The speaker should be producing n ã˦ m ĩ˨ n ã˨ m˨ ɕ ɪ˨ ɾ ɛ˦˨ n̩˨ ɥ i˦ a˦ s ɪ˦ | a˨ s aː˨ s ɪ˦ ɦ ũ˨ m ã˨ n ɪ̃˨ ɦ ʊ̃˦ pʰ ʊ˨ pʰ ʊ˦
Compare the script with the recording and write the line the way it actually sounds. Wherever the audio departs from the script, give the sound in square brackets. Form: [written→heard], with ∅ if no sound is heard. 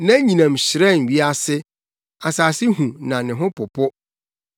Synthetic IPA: n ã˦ [m→ɲ] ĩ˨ n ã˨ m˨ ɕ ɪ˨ ɾ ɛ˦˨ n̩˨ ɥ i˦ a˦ s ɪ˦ | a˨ s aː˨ s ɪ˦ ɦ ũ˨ [m→n] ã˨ n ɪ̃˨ ɦ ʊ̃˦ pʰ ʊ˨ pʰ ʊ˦